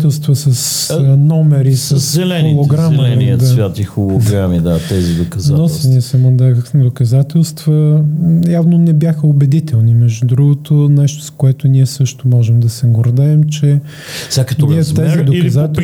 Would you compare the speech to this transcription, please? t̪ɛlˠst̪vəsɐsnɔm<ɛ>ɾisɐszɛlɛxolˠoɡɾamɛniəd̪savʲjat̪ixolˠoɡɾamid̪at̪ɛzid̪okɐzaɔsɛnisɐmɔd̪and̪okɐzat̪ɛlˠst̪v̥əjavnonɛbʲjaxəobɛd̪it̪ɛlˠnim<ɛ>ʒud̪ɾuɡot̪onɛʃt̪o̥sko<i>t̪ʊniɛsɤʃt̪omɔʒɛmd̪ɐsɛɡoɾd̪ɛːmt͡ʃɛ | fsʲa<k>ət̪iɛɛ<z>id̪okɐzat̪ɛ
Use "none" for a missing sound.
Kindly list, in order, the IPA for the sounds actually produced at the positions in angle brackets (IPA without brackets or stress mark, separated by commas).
ɛ, ɛ, ɛ, k, z